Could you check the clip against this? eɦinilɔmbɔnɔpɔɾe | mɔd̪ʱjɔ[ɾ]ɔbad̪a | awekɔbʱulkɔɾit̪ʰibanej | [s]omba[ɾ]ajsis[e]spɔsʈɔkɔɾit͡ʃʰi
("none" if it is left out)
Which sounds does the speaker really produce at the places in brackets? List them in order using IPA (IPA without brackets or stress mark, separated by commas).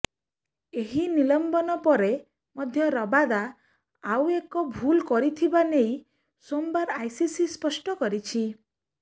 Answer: ɾ, s, ɾ, i